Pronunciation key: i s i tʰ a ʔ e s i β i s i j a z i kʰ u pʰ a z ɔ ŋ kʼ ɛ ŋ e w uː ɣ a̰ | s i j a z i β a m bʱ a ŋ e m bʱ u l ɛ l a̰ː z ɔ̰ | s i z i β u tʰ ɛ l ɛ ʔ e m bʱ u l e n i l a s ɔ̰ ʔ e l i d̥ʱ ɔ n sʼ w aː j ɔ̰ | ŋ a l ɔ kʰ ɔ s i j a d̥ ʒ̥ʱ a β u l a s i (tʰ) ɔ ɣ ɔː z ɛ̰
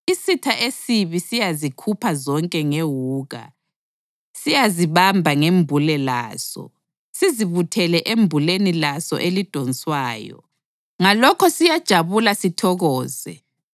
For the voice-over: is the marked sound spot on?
yes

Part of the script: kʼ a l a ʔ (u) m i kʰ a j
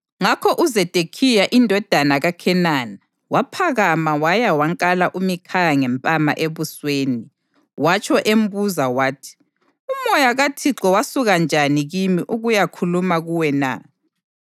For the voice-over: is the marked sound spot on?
yes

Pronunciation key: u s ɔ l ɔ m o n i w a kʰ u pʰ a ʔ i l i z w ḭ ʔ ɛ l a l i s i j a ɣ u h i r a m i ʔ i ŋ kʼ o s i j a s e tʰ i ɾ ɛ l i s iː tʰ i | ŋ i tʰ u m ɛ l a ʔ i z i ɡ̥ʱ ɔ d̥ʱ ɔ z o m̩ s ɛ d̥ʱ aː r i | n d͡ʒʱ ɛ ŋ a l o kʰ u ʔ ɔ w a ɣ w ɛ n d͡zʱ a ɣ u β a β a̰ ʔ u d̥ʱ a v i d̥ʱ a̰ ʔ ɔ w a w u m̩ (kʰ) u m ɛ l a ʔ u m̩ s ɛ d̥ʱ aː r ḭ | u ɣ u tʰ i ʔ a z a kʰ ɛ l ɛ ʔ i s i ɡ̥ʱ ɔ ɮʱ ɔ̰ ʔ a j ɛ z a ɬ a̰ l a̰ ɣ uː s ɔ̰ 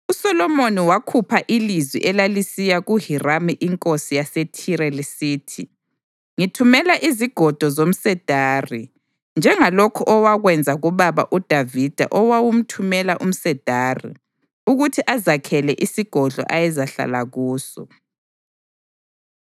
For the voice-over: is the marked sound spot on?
no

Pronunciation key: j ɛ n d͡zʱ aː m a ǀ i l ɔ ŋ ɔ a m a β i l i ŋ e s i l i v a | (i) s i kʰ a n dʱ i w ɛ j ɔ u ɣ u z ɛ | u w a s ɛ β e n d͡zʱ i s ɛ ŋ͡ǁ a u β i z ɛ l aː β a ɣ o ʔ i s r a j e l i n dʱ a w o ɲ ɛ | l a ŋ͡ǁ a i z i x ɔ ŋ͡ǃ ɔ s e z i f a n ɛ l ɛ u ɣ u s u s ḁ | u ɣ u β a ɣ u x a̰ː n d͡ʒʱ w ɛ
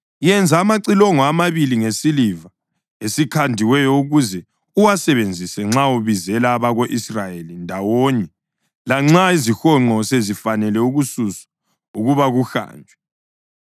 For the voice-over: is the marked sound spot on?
no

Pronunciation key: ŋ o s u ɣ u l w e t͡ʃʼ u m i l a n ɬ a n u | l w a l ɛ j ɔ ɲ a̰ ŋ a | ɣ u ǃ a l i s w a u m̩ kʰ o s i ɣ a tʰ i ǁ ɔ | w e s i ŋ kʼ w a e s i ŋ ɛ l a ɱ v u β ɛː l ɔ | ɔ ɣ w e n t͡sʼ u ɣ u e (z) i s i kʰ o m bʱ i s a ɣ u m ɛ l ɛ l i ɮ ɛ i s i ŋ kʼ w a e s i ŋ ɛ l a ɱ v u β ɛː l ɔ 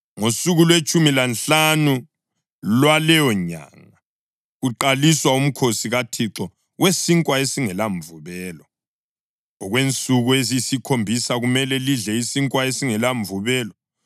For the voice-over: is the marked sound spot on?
yes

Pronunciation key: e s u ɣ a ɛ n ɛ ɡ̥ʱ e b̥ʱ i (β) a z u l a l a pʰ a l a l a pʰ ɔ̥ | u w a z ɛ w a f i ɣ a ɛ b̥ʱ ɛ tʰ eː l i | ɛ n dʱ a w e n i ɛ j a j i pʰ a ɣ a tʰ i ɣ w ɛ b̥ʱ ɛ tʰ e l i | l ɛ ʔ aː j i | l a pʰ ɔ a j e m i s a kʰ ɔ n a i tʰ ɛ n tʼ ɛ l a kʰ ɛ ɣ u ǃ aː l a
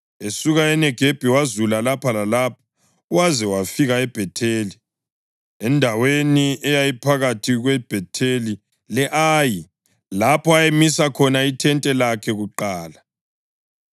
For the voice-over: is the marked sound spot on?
no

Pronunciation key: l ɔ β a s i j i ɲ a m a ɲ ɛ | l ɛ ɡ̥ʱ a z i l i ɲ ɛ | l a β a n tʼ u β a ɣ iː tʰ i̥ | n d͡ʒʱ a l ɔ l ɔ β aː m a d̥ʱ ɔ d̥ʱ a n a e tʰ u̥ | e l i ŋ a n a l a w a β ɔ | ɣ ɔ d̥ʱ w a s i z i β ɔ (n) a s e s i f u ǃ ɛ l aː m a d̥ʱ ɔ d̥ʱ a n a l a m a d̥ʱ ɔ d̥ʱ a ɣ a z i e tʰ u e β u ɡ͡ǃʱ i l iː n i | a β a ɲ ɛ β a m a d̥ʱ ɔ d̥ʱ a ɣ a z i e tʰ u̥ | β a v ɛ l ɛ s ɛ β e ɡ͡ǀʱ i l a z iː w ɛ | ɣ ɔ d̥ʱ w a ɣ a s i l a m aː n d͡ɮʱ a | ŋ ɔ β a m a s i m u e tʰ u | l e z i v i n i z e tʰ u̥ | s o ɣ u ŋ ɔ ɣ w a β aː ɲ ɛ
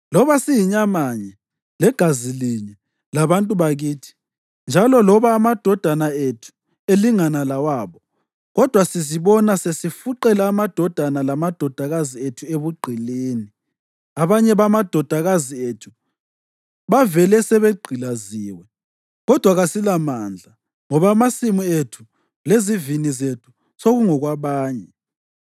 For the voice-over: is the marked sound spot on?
yes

